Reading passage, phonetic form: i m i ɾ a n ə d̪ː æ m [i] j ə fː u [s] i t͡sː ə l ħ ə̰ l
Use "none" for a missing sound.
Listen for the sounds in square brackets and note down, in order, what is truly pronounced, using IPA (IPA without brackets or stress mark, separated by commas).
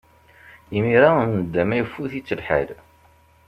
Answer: æ, θ